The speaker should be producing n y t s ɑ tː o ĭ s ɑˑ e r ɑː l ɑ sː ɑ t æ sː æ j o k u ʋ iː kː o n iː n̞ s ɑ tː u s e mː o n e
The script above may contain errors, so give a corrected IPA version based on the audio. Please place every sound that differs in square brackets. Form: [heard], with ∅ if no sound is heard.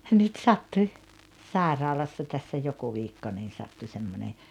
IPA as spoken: n y t s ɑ tː [u] ĭ s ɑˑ e r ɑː l ɑ sː ɑ t æ sː æ j o k u ʋ iː kː o n iː n̞ s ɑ tː u s e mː o n e